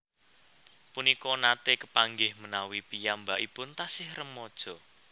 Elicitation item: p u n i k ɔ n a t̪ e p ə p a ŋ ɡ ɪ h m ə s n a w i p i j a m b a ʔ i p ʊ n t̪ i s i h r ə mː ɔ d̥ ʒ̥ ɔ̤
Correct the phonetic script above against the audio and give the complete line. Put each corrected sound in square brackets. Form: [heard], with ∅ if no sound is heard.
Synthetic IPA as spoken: p u n i k ɔ n a t̪ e [k] ə p a ŋ ɡ ɪ h m ə [∅] n a w i p i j a m b a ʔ i p ʊ n t̪ [a] s [ɪ] h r ə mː ɔ d̥ ʒ̥ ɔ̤